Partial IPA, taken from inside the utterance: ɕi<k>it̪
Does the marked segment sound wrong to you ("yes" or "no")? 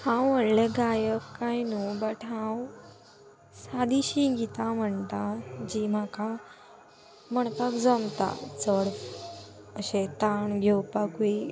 yes